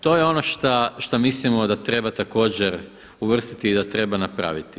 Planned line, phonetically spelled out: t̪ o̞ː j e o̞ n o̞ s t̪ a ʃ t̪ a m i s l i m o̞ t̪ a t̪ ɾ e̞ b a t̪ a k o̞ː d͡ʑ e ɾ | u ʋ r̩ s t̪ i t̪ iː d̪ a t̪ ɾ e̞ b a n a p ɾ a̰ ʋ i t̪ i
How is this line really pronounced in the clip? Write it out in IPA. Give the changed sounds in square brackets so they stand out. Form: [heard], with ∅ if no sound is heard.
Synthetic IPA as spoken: t̪ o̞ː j e o̞ n o̞ [ʃ] t̪ a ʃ t̪ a m i s l i m o̞ [d̪] a t̪ ɾ e̞ b a t̪ a k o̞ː d͡ʑ e ɾ | u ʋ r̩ s t̪ i t̪ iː d̪ a t̪ ɾ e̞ b a n a p ɾ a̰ ʋ i t̪ i